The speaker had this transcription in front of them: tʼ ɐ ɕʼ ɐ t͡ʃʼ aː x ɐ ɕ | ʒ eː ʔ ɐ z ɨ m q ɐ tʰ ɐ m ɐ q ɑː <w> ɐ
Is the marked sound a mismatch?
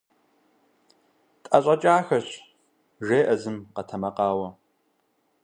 no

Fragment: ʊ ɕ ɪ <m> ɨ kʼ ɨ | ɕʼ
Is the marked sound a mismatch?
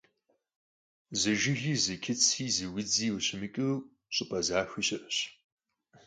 no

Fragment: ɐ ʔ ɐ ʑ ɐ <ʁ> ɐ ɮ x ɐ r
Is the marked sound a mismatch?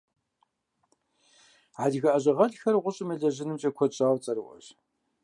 no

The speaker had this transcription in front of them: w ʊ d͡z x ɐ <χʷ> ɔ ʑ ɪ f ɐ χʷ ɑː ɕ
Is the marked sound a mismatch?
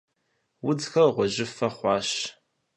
yes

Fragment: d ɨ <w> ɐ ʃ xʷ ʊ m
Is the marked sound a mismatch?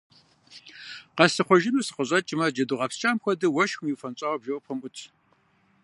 no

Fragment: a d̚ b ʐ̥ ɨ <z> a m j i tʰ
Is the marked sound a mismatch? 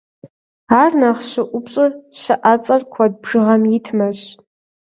yes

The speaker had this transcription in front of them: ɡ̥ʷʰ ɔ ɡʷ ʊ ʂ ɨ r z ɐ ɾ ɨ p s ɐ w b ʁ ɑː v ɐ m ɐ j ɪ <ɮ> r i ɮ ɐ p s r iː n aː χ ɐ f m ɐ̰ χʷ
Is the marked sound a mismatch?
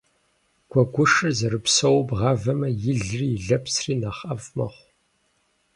no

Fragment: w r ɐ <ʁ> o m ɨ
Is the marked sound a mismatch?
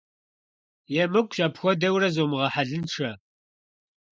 yes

